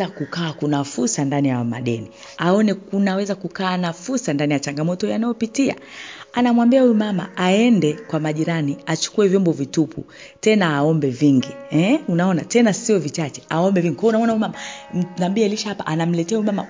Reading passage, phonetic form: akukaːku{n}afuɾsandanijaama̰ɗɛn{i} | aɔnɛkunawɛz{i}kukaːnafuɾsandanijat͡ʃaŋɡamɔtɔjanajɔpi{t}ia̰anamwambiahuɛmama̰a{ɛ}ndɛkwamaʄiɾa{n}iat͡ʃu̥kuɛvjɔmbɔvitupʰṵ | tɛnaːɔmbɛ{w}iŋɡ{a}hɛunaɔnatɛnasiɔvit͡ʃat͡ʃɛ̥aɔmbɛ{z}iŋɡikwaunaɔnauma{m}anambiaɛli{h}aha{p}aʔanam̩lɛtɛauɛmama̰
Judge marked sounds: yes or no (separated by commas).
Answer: yes, yes, no, yes, yes, yes, no, no, no, yes, no, yes